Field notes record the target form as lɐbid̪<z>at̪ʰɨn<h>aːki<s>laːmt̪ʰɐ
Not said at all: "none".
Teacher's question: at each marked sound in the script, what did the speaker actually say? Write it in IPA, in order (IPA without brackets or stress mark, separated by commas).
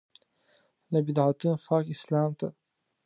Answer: ʕ, f, s